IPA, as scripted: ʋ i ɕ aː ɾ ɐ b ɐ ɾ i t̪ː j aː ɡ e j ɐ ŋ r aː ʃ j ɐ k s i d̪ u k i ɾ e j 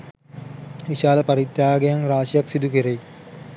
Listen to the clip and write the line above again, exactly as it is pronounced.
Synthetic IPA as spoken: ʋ i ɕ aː l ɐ p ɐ ɾ i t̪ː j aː ɡ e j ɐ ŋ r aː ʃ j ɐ k s i d̪ u k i ɾ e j